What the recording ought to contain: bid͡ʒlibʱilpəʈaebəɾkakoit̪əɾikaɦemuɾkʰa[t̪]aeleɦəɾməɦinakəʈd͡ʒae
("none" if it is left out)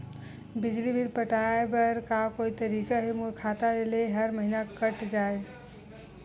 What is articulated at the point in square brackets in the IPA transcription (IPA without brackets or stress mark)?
t̪